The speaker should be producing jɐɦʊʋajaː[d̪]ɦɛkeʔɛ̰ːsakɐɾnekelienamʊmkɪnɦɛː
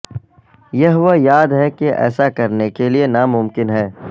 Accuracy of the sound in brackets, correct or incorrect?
correct